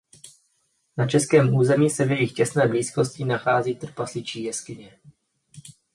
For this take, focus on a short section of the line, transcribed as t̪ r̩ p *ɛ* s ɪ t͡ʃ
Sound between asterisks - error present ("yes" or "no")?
yes